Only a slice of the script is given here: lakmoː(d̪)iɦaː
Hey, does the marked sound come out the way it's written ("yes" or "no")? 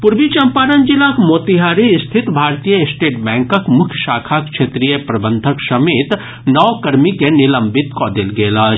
no